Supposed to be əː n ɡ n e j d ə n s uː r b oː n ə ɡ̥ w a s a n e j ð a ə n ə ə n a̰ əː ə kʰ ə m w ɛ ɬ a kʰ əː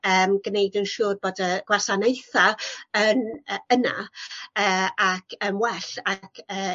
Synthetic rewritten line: əː m ɡ n e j d ə n ʃ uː r b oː d ə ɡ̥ w a s a n e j θ a ə n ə ə n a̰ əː a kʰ ə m w ɛ ɬ a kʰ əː